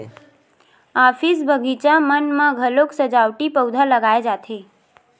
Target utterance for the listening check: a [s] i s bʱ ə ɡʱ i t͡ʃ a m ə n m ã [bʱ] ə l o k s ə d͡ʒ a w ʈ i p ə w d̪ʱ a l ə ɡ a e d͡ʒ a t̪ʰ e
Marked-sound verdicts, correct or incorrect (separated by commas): incorrect, incorrect